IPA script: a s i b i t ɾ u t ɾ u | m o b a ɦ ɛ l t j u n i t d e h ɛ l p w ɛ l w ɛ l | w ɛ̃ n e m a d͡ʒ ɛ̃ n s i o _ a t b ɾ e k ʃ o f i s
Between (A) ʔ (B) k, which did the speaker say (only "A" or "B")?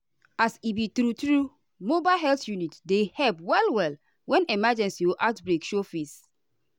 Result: A